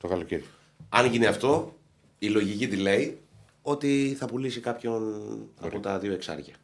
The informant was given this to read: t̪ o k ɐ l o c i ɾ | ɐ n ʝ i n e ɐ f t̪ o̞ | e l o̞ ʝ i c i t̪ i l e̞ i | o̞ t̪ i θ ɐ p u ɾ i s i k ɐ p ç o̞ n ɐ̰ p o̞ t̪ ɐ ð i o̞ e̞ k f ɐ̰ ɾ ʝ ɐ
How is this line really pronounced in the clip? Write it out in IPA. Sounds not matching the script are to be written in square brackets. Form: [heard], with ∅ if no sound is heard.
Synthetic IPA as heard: t̪ o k ɐ l o c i ɾ | ɐ n ʝ i n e ɐ f t̪ o̞ | [i] l o̞ ʝ i c i t̪ i l e̞ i | o̞ t̪ i θ ɐ p u [l] i s i k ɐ p ç o̞ n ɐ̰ p o̞ t̪ ɐ ð i o̞ e̞ k [s] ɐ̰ ɾ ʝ ɐ